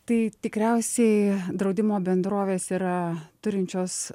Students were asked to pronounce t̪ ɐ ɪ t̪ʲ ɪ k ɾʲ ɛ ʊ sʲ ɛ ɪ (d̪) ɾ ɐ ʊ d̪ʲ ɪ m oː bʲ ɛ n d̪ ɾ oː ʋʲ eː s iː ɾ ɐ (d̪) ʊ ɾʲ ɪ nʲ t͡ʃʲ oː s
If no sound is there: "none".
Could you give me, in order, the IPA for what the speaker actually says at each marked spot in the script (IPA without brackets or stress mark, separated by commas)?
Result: d̪, t̪